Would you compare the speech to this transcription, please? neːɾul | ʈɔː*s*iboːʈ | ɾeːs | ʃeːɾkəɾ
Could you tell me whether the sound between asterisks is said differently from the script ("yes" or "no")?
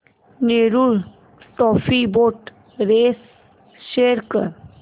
yes